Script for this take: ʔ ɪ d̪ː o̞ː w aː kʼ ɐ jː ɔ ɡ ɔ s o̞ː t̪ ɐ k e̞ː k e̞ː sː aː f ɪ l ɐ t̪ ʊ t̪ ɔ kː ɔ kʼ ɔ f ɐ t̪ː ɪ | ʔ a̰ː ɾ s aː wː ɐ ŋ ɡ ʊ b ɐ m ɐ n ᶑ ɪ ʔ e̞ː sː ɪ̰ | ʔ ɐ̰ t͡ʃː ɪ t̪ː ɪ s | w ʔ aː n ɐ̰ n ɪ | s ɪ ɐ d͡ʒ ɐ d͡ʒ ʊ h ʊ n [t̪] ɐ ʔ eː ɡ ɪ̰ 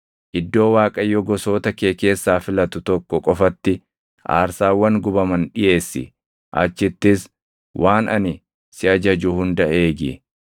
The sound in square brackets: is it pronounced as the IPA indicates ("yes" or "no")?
no